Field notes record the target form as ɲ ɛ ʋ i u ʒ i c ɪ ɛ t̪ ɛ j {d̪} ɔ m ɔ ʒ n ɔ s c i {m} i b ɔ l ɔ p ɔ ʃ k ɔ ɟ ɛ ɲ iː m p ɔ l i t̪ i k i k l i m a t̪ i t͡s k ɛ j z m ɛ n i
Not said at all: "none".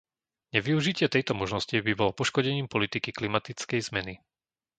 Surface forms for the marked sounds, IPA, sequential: t̪, b

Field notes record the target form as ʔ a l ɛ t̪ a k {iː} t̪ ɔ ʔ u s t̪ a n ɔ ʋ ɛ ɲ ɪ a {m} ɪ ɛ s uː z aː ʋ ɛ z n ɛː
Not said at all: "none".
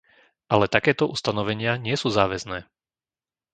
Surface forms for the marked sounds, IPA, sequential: ɛː, ɲ

